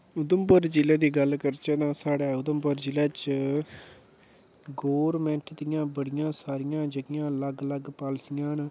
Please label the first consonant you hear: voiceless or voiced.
voiced